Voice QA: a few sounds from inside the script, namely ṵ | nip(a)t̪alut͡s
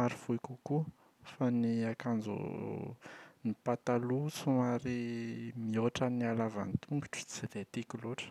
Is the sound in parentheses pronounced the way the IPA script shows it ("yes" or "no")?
yes